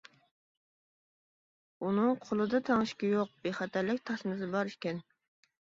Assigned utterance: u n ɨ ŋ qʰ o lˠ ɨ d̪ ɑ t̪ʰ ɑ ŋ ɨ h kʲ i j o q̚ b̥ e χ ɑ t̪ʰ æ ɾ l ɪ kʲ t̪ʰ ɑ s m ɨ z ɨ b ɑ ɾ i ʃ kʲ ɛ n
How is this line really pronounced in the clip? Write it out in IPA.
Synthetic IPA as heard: u n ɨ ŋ qʰ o lˠ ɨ d̪ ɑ t̪ʰ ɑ ŋ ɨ ʃ kʲ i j o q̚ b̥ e χ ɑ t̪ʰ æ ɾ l ɪ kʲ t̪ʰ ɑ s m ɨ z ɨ b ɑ ɾ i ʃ kʲ ɛ n